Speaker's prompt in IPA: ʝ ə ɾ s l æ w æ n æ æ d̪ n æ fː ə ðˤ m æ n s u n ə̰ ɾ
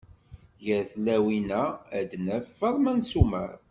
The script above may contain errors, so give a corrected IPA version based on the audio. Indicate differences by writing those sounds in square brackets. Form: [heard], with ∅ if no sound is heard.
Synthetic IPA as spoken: ʝ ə ɾ [θ] l æ w [i] n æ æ d̪ n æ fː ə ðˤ m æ n s u [m] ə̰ ɾ